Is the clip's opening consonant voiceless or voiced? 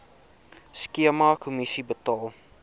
voiceless